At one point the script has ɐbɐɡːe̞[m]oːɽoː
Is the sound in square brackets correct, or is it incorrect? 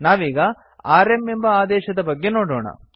incorrect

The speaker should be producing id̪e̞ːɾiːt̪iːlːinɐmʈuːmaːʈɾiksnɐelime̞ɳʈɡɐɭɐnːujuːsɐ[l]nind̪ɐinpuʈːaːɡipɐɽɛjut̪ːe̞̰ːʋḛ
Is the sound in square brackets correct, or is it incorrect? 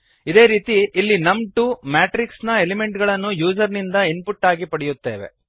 incorrect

